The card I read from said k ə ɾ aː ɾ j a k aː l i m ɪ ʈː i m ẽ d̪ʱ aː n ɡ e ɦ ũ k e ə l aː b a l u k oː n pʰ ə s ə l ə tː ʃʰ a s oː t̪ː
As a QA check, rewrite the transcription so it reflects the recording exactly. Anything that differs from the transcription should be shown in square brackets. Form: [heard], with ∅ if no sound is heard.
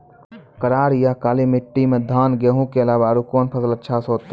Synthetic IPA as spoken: k ə ɾ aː ɾ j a k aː l i m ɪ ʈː i m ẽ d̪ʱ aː n ɡ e ɦ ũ k e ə l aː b a [ɾ] u k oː n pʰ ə s ə l ə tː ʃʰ a s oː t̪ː